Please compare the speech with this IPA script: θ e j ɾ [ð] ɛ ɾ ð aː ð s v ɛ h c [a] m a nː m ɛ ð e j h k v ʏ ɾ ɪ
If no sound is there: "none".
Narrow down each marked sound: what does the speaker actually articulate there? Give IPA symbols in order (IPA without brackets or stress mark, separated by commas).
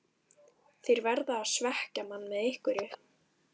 v, a